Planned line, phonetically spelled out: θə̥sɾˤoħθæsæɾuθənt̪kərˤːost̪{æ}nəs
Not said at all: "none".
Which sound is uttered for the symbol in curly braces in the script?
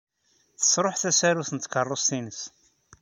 i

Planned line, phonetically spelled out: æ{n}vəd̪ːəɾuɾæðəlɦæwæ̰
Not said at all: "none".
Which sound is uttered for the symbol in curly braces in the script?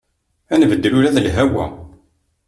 n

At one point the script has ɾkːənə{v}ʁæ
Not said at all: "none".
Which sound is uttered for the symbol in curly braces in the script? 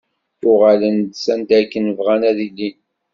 v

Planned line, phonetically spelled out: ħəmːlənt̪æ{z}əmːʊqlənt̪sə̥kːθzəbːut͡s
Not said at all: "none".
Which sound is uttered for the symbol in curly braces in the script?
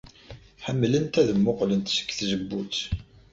ð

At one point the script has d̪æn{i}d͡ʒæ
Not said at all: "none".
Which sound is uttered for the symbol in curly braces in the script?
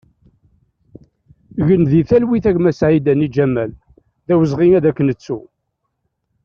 i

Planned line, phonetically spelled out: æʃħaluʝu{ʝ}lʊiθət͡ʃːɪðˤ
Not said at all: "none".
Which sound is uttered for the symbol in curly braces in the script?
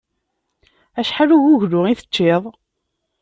ʝ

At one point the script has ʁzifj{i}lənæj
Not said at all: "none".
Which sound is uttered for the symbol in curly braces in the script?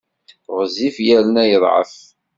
æ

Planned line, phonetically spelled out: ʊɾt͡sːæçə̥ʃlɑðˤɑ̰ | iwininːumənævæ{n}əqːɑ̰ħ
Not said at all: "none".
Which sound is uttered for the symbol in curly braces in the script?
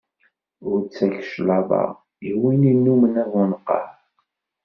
n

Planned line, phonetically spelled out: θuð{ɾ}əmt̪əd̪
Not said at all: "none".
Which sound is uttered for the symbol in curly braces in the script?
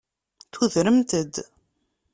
ɾ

